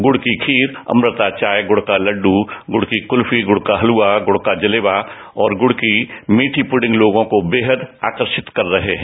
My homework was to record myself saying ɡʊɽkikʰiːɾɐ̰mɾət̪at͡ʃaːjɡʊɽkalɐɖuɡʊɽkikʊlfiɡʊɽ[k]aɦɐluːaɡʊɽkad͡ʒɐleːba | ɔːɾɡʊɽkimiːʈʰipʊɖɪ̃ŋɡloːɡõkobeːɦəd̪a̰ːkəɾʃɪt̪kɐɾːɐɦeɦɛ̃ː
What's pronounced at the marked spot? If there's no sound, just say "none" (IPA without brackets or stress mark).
k